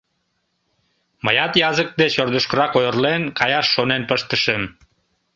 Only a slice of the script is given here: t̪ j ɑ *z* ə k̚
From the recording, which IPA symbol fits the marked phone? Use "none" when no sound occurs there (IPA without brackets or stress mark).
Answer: z